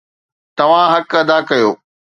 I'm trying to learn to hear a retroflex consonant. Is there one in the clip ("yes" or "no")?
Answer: no